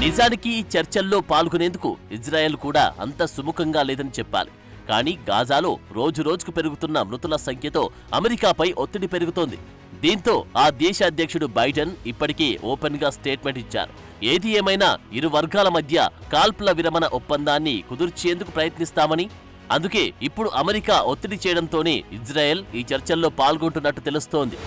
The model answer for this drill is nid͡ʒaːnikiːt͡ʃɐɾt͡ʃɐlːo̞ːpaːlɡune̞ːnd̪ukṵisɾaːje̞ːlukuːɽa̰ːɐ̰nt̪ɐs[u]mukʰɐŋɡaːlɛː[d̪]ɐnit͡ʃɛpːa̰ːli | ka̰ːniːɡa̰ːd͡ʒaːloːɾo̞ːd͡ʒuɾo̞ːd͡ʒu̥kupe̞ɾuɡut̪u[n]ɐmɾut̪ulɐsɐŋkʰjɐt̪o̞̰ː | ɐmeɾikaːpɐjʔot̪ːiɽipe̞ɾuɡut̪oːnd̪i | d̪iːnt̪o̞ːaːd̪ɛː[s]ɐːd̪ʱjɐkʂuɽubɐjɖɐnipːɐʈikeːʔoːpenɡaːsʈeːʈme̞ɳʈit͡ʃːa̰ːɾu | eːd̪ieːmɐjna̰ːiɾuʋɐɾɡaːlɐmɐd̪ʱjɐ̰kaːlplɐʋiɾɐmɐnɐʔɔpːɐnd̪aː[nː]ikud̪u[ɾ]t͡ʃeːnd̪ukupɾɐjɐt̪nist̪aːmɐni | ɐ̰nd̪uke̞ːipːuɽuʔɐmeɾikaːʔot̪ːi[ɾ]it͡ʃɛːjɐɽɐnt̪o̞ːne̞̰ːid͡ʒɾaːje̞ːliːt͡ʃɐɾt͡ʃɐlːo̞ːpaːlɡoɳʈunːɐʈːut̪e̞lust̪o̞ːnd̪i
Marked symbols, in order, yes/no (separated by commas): yes, yes, no, no, yes, yes, no